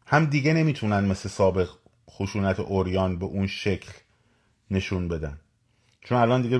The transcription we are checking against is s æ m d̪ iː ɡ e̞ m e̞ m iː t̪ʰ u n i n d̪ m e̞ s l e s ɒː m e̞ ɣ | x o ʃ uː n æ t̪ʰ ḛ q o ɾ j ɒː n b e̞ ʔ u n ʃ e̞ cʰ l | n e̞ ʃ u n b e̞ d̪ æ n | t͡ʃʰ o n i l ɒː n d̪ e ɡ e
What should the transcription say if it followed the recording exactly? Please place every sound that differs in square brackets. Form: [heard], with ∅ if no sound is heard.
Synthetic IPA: [h] æ m d̪ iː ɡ e̞ [n] e̞ m iː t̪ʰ u n [æ] n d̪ m e̞ s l e s ɒː [b] e̞ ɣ | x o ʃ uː n æ t̪ʰ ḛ [ʔ] o ɾ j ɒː n b e̞ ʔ u n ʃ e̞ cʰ l | n e̞ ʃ u n b e̞ d̪ æ n | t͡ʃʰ o n [æ] l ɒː n d̪ [i] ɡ e